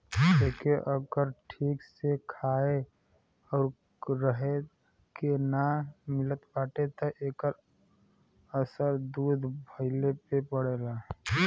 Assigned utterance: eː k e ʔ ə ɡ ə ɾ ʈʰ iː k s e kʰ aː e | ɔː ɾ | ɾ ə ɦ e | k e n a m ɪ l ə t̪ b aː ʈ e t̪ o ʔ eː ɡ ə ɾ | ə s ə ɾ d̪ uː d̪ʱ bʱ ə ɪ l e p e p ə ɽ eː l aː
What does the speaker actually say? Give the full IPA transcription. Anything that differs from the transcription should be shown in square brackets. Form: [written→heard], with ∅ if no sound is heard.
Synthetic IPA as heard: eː k e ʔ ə ɡ ə ɾ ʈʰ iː k s e kʰ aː e | ɔː ɾ | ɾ ə ɦ e | k e n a m ɪ l ə t̪ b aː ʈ e t̪ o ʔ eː [ɡ→k] ə ɾ | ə s ə ɾ d̪ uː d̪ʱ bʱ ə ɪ l e p e p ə ɽ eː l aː